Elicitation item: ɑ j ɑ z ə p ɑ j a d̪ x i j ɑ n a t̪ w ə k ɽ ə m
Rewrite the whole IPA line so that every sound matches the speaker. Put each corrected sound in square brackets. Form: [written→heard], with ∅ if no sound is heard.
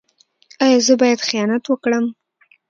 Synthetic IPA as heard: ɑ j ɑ z ə [p→b] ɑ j a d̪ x i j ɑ n a t̪ w ə k ɽ ə m